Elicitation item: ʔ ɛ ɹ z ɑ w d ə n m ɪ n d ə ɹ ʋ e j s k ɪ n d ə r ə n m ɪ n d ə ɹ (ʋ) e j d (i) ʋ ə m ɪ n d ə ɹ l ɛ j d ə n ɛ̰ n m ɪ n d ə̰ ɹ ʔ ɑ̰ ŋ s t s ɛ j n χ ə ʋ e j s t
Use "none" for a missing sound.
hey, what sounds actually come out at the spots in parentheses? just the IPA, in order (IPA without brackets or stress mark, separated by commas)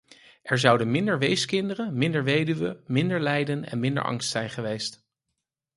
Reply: ʋ, y